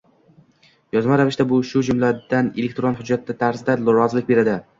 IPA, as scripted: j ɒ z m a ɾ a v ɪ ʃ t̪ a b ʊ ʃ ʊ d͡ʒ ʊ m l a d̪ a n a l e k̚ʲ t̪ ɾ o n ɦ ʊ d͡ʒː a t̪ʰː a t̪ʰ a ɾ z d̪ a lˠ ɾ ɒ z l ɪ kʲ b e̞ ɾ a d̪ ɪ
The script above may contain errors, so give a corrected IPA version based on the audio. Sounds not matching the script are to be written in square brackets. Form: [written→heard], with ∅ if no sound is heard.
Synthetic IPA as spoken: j ɒ z m a ɾ a v ɪ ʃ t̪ a b ʊ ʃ ʊ d͡ʒ ʊ m l a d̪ a n [a→e] l e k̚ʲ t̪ ɾ o n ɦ ʊ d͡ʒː a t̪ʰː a t̪ʰ a ɾ z d̪ a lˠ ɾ ɒ z l ɪ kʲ b e̞ ɾ a d̪ ɪ